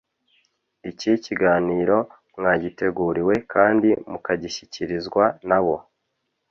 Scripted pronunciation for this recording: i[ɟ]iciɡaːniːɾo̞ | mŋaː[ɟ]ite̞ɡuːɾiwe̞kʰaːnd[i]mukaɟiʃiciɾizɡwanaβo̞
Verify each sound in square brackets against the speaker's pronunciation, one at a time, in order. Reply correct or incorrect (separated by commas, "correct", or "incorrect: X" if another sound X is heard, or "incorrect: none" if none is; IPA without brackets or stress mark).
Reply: incorrect: c, correct, correct